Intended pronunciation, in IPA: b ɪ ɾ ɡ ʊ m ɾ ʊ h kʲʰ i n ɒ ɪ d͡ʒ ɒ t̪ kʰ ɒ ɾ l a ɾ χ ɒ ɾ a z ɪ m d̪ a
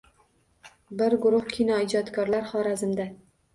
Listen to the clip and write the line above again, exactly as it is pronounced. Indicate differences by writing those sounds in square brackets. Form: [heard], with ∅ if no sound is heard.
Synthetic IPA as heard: b ɪ ɾ ɡ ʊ [∅] ɾ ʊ h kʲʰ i n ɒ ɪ d͡ʒ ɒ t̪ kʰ ɒ ɾ l a ɾ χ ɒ ɾ a z ɪ m d̪ a